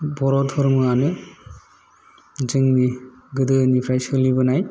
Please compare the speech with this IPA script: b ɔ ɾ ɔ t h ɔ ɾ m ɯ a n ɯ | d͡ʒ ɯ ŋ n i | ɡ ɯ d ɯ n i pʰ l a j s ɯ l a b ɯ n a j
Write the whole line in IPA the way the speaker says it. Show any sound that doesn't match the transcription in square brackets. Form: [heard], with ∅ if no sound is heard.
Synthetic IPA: b ɔ ɾ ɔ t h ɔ ɾ m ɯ a n ɯ | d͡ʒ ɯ ŋ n i | ɡ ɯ d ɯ n i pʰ [ɾ] a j s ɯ l [i] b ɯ n a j